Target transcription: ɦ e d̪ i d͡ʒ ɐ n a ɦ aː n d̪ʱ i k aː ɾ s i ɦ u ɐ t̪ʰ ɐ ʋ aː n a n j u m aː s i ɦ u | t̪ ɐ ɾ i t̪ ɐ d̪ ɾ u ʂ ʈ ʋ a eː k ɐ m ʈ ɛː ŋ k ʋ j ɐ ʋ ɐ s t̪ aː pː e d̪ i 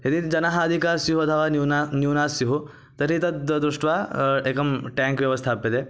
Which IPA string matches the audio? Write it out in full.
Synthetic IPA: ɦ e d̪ i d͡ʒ ɐ n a ɦ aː d̪ʱ i k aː ɾ s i ɦ u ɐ t̪ʰ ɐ ʋ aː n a n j u n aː s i ɦ u | t̪ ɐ ɾ i t̪ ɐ d̪ ɾ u ʂ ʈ ʋ a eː k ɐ m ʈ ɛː ŋ k ʋ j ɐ ʋ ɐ s t̪ʰ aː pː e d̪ e